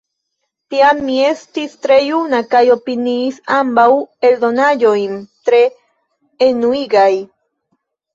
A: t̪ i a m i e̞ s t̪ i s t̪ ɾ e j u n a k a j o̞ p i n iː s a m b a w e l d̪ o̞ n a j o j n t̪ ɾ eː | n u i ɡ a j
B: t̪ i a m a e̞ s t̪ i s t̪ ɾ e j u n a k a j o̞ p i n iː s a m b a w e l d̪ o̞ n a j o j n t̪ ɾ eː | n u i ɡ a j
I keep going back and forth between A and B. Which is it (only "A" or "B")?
A